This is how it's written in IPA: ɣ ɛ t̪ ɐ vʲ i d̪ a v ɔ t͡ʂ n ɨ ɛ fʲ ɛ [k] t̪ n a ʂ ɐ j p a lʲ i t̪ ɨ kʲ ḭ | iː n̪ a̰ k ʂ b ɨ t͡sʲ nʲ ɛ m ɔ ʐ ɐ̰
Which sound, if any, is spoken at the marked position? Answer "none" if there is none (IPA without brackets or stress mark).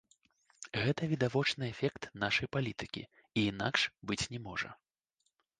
k